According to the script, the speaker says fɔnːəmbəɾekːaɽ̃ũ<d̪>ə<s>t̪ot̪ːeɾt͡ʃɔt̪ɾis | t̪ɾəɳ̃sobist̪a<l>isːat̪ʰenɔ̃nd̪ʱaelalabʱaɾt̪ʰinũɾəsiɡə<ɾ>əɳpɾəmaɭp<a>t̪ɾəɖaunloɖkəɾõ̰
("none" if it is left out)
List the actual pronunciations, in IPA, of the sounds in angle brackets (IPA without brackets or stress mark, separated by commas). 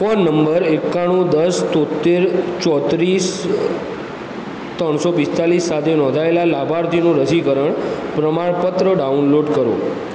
d̪, s, l, ɾ, ə